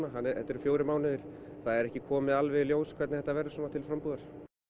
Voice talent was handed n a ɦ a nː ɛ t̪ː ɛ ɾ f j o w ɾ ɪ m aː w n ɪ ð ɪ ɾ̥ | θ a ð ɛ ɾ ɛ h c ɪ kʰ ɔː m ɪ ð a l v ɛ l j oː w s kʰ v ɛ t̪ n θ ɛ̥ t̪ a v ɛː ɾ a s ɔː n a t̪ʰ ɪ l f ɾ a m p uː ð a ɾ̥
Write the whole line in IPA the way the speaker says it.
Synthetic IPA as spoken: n a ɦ a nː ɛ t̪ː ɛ ɾ f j o w ɾ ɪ m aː w n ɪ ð ɪ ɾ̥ | θ a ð ɛ ɾ ɛ h c ɪ kʰ ɔː m ɪ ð a l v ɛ l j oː w s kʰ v ɛ t̪ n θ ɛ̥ t̪ a v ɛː ɾ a s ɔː n a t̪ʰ ɪ l f ɾ a m p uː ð a ɾ̥